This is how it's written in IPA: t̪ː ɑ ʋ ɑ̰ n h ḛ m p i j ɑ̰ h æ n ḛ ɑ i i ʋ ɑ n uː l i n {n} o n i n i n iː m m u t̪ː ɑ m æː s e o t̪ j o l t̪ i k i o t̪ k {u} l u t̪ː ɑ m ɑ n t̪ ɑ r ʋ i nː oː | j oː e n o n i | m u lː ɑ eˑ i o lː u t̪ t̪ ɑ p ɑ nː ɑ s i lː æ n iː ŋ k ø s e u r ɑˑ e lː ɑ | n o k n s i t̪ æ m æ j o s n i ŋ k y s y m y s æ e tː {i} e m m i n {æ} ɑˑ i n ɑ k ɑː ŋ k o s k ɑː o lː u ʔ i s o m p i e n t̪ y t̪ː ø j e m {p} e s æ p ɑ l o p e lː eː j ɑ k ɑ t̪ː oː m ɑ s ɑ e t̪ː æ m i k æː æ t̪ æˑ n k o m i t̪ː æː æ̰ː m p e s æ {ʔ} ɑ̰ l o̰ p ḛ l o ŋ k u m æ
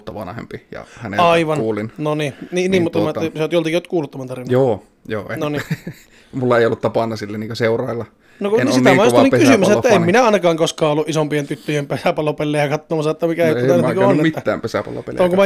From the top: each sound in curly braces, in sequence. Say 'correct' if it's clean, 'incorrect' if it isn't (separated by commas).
correct, incorrect, incorrect, correct, correct, incorrect